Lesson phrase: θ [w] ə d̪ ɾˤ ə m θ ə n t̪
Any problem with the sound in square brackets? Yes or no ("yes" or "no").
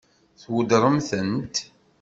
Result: no